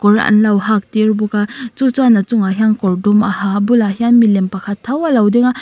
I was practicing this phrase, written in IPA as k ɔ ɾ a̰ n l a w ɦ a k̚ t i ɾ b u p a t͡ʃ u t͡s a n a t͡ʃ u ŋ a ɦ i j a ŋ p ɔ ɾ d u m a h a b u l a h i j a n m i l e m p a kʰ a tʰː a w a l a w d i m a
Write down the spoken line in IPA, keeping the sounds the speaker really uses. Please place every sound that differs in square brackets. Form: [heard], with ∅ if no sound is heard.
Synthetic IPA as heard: k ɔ ɾ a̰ n l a w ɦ a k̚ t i ɾ b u [k] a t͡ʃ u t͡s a n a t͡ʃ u ŋ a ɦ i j a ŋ [k] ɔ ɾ d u m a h a b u l a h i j a n m i l e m p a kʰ a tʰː a w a l a w d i [ŋ] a